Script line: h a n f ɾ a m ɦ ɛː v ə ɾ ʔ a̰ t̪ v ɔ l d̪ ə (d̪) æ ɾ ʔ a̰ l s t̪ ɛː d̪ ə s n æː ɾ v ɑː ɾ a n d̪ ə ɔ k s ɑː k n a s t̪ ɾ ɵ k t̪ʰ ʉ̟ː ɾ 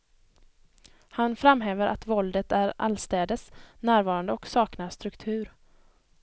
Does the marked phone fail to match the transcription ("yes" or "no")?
yes